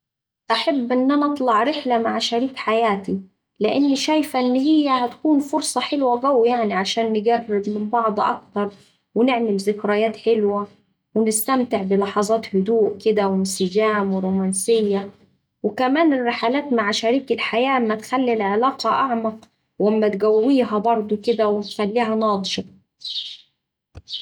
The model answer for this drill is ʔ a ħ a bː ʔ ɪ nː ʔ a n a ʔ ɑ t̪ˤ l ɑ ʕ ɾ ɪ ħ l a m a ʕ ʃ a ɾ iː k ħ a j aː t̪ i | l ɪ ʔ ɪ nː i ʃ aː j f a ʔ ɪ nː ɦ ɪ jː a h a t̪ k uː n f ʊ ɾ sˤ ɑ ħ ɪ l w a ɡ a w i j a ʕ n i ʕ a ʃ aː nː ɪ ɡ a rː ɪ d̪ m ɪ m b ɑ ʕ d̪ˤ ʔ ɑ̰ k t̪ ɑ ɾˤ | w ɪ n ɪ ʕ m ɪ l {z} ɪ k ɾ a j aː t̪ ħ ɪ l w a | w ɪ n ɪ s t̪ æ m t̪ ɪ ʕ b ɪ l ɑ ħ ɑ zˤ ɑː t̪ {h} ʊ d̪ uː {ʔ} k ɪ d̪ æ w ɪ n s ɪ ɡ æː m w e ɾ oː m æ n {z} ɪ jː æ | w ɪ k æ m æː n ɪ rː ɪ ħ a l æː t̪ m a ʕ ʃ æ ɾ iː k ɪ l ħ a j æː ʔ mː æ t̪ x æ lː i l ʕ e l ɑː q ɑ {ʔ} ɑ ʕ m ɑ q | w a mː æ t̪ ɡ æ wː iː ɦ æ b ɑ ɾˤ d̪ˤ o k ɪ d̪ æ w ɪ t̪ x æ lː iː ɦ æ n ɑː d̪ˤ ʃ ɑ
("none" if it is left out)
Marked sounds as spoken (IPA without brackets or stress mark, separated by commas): z, h, ʔ, s, ʔ